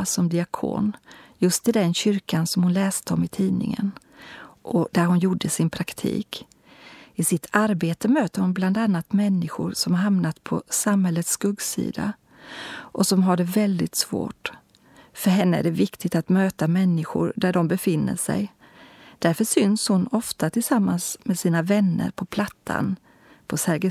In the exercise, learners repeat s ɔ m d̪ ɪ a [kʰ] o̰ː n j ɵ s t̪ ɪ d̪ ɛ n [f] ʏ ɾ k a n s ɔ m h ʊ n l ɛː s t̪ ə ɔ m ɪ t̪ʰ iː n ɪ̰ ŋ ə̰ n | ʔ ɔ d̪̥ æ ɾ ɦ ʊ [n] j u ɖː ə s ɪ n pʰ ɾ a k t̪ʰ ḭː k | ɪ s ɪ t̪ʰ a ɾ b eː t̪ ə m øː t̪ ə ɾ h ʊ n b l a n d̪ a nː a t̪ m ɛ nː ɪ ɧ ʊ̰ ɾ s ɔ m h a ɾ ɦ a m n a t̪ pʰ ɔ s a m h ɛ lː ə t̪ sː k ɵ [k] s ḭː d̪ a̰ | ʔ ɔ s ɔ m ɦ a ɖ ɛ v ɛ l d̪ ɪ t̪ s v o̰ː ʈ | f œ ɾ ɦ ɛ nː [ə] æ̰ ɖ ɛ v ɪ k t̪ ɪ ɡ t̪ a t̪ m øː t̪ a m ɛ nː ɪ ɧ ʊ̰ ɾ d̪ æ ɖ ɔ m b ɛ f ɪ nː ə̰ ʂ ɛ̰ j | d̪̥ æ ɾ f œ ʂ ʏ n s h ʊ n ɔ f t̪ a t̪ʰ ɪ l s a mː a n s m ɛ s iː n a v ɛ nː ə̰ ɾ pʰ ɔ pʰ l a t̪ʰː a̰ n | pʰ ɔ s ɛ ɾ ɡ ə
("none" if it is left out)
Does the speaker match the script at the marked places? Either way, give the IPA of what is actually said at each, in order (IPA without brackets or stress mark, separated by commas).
kʰ, ɕ, n, ɡ, ə